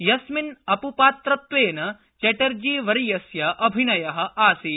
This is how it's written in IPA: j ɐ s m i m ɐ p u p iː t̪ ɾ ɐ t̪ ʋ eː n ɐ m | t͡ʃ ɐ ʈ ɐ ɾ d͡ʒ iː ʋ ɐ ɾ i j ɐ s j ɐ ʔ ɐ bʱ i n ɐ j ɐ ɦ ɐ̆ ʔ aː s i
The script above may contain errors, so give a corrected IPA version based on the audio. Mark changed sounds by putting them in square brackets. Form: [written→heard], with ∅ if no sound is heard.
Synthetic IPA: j ɐ s m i [m→n] ɐ p u p [iː→aː] t̪ ɾ ɐ t̪ ʋ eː n ɐ [m→∅] | t͡ʃ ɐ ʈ ɐ ɾ d͡ʒ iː ʋ ɐ ɾ i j ɐ s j ɐ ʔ ɐ bʱ i n ɐ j ɐ ɦ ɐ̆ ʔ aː s i

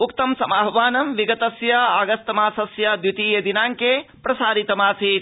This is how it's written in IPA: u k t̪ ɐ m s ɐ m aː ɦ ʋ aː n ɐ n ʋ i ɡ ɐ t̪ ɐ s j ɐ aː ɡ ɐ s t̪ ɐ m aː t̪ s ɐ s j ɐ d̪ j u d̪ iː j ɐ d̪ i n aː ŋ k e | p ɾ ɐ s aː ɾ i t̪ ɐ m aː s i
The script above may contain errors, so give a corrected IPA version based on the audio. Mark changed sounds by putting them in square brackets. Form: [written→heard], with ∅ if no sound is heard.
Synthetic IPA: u k t̪ ɐ m s ɐ m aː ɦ ʋ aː n ɐ [n→m] ʋ i ɡ ɐ t̪ ɐ s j ɐ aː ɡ ɐ s t̪ ɐ m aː [t̪→∅] s ɐ s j ɐ d̪ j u [d̪→t̪] iː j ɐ d̪ i n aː ŋ k e | p ɾ ɐ s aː ɾ i t̪ ɐ m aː s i

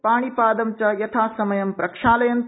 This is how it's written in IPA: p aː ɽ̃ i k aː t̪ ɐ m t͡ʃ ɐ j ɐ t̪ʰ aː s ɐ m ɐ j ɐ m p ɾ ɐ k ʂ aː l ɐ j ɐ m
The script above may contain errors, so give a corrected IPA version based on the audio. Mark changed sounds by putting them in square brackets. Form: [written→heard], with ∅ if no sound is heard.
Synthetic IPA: p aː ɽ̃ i [k→p] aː [t̪→d̪] ɐ m t͡ʃ ɐ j ɐ t̪ʰ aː s ɐ m ɐ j ɐ m p ɾ ɐ k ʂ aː l ɐ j ɐ [m→n]

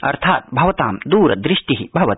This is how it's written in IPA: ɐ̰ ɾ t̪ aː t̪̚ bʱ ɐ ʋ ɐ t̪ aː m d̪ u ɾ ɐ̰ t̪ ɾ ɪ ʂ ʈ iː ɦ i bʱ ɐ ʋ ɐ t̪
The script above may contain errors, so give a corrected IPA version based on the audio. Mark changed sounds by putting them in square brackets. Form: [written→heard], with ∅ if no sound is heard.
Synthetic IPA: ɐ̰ ɾ [t̪→t̪ʰ] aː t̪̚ bʱ ɐ ʋ ɐ t̪ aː m d̪ [u→uː] ɾ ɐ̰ [t̪→d̪] ɾ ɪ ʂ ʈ [iː→i] ɦ i bʱ ɐ ʋ ɐ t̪

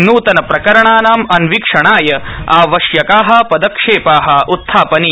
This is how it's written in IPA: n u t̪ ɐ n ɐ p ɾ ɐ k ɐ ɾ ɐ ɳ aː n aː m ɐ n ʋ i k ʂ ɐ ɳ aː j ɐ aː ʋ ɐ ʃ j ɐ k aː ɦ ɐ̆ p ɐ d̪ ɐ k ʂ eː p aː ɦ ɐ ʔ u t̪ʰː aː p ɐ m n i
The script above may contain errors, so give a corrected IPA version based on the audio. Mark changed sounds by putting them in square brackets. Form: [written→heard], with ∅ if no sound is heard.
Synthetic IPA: n [u→uː] t̪ ɐ n ɐ p ɾ ɐ k ɐ ɾ ɐ ɳ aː n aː m ɐ n ʋ i k ʂ ɐ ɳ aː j ɐ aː ʋ ɐ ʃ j ɐ k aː ɦ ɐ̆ p ɐ d̪ ɐ k ʂ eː p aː ɦ ɐ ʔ u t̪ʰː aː p ɐ [m→∅] n i

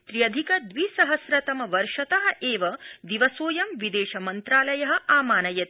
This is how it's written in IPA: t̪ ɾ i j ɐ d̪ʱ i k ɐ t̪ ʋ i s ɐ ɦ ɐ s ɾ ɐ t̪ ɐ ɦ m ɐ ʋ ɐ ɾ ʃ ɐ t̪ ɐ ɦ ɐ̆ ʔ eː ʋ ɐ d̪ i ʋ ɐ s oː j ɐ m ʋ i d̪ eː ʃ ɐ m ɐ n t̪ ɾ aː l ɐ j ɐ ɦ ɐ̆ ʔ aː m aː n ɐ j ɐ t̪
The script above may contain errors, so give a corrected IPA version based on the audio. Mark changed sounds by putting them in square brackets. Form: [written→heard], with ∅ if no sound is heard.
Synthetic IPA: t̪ ɾ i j ɐ d̪ʱ i k ɐ [t̪→d̪] ʋ i s ɐ ɦ ɐ s ɾ ɐ t̪ ɐ [ɦ→∅] m ɐ ʋ ɐ ɾ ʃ ɐ t̪ ɐ ɦ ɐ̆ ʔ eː ʋ ɐ d̪ i ʋ ɐ s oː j ɐ m ʋ i d̪ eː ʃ ɐ m ɐ n t̪ ɾ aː l ɐ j ɐ ɦ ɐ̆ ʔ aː m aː n ɐ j ɐ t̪

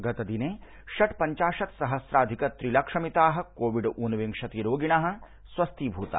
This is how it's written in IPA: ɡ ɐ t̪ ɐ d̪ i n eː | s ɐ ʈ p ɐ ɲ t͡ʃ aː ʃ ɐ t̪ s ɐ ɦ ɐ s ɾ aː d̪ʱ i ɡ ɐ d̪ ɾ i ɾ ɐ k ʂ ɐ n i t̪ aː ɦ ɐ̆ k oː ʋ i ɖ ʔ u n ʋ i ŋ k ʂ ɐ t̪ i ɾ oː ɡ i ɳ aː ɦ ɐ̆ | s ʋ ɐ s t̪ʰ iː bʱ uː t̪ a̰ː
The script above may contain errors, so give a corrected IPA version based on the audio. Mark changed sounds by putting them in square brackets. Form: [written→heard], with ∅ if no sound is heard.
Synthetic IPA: ɡ ɐ t̪ ɐ d̪ i n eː | [s→ʃ] ɐ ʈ p ɐ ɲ t͡ʃ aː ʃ ɐ t̪ s ɐ ɦ ɐ s ɾ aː d̪ʱ i [ɡ→k] ɐ [d̪→t̪] ɾ i [ɾ→l] ɐ k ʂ ɐ [n→m] i t̪ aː ɦ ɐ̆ k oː ʋ i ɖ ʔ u n ʋ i ŋ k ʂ ɐ t̪ i ɾ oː ɡ i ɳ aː ɦ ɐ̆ | s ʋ ɐ s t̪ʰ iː bʱ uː t̪ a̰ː

